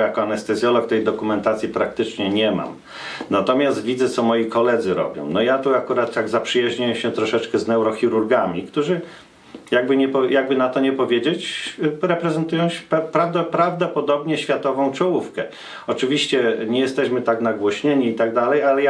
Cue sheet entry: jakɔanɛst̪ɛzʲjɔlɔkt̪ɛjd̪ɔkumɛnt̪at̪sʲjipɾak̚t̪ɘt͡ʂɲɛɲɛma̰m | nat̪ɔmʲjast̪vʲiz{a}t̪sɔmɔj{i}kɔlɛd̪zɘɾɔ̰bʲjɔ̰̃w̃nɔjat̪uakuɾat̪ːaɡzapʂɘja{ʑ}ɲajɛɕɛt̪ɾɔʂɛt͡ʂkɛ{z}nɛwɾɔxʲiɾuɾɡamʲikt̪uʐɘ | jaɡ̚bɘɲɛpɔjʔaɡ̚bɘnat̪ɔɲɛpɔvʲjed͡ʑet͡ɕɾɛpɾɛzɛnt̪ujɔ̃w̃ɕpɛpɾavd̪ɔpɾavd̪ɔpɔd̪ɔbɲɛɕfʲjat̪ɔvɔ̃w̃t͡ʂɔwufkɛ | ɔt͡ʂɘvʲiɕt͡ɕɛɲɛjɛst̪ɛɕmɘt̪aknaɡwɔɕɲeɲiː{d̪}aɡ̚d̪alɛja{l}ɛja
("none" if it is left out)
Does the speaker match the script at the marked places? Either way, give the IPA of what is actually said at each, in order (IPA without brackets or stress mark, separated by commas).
ɛ, i, ʑ, z, t̪, l